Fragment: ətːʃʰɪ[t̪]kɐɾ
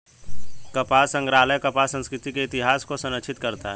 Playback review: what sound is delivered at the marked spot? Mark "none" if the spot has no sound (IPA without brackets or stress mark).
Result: t̪